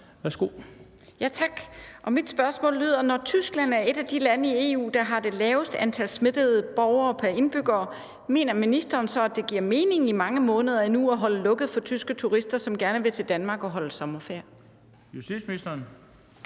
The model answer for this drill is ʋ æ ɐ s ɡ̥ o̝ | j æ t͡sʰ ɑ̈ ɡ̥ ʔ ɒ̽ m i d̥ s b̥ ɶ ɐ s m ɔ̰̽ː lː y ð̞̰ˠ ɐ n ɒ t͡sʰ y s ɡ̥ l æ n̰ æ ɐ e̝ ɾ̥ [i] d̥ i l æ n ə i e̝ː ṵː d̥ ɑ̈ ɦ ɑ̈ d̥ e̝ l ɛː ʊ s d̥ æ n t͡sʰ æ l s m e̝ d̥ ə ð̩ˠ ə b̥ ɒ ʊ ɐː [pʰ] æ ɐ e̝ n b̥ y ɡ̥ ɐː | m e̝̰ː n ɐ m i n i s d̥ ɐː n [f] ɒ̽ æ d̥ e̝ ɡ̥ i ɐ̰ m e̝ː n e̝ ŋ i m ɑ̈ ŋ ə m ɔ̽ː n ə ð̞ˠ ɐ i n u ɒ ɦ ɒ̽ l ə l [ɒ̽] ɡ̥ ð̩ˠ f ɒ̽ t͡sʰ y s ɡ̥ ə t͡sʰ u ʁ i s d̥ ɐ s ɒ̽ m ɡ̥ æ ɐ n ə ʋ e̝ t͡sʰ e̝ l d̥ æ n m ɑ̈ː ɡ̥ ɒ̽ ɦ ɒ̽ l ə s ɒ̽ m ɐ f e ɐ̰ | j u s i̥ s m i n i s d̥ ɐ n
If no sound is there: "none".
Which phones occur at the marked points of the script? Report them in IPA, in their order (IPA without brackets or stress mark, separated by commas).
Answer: æ, pʰ, s, ɔ̽